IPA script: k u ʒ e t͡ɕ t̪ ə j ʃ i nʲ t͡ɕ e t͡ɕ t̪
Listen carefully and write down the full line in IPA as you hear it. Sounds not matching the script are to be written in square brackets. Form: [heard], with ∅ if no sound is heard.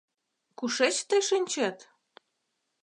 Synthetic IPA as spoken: k u [ʃ] e t͡ɕ t̪ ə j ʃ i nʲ t͡ɕ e [∅] t̪